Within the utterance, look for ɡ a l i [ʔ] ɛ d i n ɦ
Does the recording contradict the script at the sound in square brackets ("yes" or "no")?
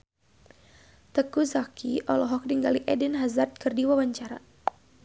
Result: no